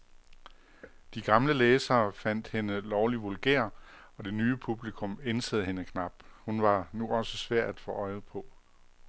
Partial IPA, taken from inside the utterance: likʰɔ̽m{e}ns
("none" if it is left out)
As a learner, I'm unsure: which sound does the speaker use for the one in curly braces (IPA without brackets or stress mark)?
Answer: e